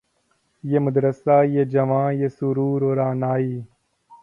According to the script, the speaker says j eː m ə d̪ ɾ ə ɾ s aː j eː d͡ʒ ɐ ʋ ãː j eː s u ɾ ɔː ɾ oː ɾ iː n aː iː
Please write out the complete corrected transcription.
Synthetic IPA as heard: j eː m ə d̪ ɾ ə s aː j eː d͡ʒ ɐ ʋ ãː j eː s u ɾ uː ɾ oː ɾ aː n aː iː